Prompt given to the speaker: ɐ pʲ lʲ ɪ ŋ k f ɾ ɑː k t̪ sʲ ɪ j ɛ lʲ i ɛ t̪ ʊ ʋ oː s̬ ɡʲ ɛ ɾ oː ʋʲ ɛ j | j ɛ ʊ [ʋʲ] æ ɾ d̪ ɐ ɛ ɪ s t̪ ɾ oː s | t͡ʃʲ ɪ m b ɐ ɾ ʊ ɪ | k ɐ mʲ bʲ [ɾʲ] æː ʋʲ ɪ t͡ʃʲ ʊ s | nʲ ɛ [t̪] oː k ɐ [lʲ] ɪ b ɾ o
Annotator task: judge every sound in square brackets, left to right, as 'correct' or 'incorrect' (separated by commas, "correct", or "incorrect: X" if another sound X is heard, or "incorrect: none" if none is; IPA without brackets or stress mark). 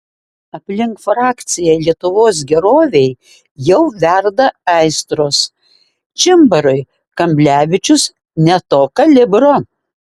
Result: correct, incorrect: lʲ, correct, correct